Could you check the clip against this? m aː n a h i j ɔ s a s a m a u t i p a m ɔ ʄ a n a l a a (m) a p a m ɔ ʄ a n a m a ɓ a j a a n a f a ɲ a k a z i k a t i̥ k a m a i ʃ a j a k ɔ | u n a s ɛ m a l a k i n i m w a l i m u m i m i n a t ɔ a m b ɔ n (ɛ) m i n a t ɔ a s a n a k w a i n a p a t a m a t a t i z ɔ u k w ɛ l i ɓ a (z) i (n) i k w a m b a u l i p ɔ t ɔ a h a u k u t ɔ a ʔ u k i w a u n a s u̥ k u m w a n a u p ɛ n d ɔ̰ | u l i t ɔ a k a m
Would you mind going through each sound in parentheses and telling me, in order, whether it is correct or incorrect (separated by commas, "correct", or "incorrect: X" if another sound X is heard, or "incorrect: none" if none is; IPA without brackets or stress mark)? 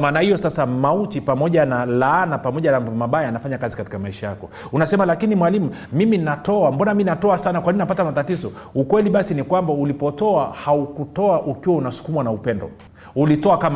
incorrect: n, incorrect: a, incorrect: s, correct